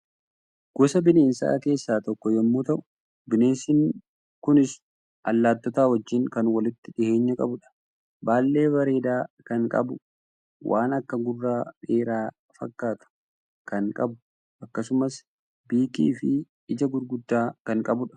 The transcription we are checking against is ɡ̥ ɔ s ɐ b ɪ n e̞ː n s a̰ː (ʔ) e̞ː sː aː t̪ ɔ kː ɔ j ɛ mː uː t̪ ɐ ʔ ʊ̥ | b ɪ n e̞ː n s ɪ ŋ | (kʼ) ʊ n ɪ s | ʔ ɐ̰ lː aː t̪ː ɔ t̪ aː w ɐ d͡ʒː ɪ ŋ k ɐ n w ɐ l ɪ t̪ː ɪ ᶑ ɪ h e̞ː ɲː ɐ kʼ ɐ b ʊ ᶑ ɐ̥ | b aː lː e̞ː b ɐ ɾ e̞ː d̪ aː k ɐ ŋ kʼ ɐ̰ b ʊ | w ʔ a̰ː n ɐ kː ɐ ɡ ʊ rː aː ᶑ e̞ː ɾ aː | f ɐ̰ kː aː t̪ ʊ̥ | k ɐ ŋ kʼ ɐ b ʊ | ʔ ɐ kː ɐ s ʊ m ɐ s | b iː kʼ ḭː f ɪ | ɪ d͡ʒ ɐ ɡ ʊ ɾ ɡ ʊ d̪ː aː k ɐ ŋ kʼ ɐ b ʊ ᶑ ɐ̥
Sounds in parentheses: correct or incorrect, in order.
incorrect, incorrect

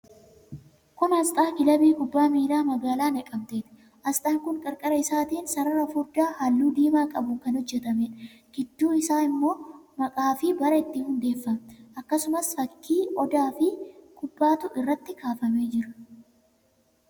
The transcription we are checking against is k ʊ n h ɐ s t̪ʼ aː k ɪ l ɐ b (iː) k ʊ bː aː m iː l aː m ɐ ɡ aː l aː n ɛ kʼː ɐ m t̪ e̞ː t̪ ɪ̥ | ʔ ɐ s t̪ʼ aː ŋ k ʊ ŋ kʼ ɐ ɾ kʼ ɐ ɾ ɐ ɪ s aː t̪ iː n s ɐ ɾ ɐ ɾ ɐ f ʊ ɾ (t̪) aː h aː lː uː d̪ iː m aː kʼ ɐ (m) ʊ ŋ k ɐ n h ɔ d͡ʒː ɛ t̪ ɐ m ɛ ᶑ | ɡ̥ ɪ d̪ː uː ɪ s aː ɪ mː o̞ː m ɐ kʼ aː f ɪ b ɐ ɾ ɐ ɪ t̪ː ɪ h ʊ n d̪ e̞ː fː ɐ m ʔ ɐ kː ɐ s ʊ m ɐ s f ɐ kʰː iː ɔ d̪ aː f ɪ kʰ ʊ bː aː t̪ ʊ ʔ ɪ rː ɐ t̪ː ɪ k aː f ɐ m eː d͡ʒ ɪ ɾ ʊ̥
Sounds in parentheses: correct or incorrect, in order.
correct, incorrect, incorrect

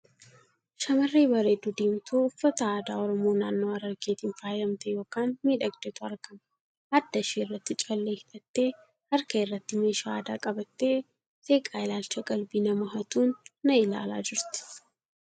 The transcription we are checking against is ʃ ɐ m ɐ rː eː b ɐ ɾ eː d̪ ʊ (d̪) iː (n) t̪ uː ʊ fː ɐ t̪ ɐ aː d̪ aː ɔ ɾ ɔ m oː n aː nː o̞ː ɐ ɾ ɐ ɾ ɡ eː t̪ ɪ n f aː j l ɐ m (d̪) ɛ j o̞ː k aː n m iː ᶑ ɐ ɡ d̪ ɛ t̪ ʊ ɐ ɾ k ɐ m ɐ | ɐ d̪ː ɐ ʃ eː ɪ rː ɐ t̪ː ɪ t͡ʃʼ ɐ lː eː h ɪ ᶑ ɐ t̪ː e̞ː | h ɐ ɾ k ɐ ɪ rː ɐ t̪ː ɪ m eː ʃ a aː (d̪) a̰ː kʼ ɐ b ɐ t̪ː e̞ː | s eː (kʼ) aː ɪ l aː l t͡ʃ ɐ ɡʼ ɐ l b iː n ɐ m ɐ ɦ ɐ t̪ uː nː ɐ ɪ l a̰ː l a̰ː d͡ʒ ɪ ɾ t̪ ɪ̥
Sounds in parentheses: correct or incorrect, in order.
correct, incorrect, incorrect, correct, correct

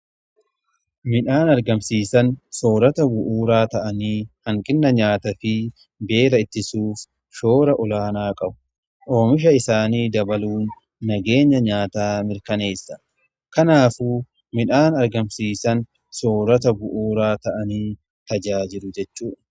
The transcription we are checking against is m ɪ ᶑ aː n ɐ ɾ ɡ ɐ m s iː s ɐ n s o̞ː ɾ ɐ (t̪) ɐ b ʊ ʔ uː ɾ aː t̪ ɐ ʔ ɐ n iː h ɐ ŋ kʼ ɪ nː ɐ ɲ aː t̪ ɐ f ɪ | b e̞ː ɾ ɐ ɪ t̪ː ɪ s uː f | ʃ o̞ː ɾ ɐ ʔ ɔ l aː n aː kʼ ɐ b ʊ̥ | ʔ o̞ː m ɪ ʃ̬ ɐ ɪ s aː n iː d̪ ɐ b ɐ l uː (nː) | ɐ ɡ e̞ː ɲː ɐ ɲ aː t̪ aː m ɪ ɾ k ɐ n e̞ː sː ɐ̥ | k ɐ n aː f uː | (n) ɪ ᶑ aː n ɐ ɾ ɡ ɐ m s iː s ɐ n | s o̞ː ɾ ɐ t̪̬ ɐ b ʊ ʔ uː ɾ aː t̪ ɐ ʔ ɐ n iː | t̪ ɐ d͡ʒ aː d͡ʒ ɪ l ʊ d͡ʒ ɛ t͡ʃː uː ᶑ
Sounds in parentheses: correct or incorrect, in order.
correct, correct, incorrect

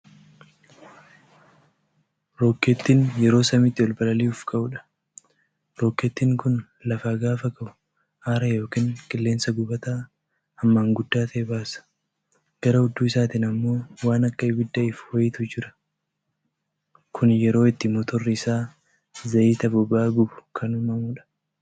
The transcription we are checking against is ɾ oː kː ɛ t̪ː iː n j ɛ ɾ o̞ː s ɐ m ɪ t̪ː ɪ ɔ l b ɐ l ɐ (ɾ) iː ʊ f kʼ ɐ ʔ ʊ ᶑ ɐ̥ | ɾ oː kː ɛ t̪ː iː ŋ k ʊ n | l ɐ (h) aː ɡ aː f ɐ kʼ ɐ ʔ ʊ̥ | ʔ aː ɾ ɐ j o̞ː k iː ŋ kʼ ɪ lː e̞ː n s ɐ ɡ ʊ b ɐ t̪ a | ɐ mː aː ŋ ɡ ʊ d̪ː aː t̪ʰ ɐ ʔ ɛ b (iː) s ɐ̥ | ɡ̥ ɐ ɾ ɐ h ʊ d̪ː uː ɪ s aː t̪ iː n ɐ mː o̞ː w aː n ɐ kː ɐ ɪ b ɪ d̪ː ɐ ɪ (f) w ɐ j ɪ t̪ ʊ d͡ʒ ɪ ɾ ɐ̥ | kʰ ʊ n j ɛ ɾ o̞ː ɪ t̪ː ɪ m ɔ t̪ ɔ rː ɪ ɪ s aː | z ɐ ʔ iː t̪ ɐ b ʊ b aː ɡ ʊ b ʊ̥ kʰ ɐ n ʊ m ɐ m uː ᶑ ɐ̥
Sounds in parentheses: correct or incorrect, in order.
incorrect, incorrect, incorrect, correct

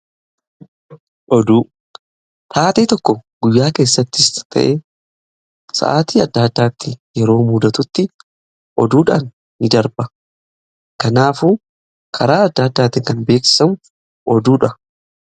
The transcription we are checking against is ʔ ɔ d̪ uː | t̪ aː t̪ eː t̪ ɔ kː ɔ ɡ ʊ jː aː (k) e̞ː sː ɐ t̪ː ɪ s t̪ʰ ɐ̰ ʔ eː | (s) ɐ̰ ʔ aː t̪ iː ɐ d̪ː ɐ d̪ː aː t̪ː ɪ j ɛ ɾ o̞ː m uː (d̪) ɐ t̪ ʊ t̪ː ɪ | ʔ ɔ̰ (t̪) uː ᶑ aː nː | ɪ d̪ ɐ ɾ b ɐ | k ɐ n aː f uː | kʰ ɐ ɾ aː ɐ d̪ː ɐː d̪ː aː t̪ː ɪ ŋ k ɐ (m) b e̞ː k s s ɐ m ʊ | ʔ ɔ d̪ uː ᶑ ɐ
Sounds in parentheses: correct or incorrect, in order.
correct, correct, correct, incorrect, incorrect

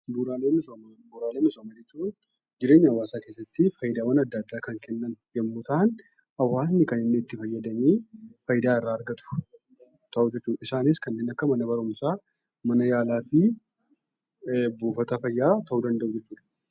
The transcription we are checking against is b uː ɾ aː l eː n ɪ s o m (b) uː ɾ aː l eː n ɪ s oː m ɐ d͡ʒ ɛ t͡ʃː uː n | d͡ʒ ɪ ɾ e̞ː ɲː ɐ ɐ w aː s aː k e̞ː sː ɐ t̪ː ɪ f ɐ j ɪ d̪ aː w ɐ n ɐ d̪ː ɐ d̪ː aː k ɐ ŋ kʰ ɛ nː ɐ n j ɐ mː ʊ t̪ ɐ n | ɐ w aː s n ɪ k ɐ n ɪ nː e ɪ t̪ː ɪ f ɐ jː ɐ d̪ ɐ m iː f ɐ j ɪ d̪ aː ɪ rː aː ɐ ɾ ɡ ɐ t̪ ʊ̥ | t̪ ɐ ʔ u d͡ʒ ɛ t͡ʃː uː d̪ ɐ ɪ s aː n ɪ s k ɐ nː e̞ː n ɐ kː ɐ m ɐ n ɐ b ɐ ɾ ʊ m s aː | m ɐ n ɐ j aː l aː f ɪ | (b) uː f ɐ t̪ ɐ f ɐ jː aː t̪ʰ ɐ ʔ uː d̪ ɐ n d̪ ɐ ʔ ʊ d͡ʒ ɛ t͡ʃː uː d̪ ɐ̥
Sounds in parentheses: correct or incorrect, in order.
correct, correct

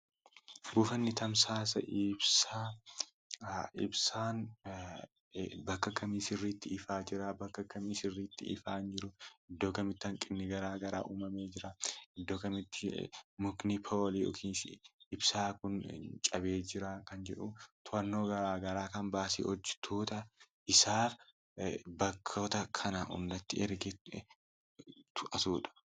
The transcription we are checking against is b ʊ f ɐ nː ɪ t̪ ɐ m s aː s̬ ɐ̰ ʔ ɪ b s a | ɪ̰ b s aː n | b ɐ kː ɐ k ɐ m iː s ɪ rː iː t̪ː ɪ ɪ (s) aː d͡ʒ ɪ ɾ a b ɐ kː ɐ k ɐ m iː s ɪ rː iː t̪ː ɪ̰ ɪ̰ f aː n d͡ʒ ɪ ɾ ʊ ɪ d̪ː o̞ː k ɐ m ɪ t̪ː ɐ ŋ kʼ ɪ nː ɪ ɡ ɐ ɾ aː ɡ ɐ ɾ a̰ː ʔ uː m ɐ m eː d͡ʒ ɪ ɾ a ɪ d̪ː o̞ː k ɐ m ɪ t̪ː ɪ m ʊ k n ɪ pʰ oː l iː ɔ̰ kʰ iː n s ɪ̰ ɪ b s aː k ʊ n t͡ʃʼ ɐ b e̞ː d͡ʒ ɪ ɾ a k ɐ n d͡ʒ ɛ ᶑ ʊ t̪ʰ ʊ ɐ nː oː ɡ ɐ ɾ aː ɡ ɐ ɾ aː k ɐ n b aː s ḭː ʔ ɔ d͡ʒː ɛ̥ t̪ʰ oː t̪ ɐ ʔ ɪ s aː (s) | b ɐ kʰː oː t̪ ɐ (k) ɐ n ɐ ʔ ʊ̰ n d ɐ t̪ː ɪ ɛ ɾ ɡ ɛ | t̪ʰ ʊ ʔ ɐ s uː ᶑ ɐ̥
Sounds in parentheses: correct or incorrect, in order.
incorrect, incorrect, incorrect

